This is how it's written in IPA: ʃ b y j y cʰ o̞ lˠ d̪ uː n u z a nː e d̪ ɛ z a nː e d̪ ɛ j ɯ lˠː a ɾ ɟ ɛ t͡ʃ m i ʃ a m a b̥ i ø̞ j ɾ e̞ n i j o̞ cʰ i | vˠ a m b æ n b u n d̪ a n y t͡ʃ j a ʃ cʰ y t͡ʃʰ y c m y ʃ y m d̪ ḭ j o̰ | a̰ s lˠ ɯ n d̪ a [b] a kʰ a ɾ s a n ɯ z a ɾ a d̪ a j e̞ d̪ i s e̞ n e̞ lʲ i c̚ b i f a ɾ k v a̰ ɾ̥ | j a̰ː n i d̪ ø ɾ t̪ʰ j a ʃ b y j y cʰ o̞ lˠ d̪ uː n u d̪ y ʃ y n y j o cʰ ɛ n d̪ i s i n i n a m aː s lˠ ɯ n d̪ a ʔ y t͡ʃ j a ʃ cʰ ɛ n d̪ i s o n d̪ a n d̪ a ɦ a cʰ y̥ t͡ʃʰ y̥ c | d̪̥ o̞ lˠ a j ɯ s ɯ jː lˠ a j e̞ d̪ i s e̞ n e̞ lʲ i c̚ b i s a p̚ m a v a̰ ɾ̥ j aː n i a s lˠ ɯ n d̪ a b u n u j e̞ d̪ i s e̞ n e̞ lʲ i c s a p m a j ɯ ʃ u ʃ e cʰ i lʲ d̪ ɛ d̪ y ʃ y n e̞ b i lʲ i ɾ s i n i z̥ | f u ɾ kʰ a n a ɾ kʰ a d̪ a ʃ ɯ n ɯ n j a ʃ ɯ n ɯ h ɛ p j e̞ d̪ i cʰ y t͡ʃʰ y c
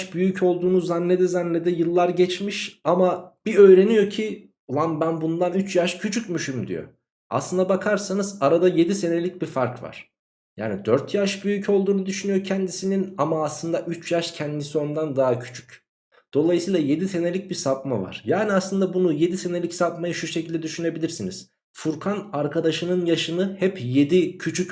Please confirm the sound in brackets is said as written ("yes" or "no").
yes